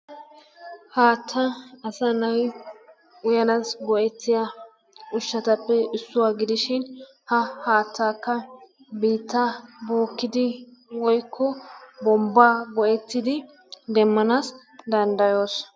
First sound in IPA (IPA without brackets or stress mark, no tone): h